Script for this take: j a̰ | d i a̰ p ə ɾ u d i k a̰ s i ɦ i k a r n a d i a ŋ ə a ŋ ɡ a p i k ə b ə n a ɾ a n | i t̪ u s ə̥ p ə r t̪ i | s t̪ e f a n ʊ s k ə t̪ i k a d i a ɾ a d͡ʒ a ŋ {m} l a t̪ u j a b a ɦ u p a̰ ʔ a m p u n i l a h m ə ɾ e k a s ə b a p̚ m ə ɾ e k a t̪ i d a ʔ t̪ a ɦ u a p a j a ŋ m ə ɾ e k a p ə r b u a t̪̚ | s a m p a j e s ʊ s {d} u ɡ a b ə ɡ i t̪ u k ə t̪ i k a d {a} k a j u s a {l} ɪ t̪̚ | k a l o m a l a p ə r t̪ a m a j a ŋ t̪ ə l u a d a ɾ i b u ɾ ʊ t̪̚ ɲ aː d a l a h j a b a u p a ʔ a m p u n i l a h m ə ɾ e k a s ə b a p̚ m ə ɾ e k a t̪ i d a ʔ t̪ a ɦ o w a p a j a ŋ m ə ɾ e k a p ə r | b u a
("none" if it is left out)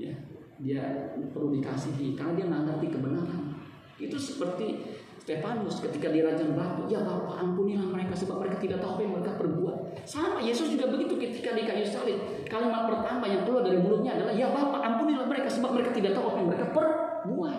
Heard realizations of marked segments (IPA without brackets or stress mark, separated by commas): b, d͡ʒ, i, l